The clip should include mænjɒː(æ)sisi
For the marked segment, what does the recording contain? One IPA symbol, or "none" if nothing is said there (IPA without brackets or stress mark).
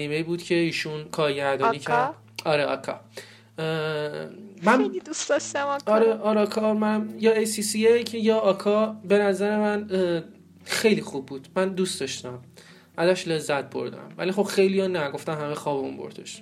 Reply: e